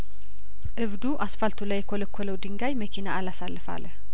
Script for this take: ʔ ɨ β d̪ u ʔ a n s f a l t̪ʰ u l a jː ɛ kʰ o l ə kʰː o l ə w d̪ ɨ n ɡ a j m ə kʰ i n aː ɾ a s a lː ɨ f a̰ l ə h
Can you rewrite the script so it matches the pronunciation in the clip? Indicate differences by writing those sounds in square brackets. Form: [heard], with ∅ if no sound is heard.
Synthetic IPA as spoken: ʔ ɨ β d̪ u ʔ a [∅] s f a l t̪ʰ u l a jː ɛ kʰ o l ə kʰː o l ə w d̪ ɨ [ŋ] ɡ a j m ə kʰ i n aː [l] a s a lː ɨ f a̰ l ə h